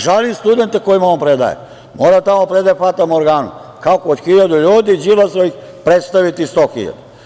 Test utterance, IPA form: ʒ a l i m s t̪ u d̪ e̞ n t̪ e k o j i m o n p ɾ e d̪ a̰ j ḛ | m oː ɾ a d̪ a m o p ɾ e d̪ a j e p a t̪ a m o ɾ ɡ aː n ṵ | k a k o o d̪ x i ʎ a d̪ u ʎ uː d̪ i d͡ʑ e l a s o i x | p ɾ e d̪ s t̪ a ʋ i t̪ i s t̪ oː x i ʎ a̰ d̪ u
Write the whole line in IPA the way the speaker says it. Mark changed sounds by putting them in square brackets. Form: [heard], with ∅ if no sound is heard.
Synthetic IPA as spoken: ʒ a l i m s t̪ u d̪ e̞ n t̪ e k o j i m o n p ɾ e d̪ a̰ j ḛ | m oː ɾ a [t̪] a m o p ɾ e d̪ a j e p a t̪ a m o ɾ ɡ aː n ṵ | k a k o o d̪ x i ʎ a d̪ u ʎ uː d̪ i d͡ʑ [i] l a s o i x | p ɾ e [t̪] s t̪ a ʋ i t̪ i s t̪ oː x i ʎ a̰ d̪ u